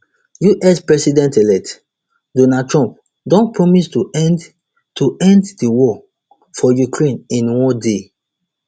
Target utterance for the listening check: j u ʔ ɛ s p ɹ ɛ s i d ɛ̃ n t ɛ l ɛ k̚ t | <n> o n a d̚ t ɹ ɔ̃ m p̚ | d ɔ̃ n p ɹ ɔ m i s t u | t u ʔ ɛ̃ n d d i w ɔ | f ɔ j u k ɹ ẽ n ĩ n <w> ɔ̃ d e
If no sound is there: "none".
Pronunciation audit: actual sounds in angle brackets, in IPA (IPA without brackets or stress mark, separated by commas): d, w